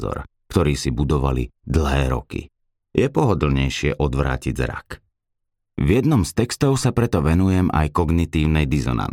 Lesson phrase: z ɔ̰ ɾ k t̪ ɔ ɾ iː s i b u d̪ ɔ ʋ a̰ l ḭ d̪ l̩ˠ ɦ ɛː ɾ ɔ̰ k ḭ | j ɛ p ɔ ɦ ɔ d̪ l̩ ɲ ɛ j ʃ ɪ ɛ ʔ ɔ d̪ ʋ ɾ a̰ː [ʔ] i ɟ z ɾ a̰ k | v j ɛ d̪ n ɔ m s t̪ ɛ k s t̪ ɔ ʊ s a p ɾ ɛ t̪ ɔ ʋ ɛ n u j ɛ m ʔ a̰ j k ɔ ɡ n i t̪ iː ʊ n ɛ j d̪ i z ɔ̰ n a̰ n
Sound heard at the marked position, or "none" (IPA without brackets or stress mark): c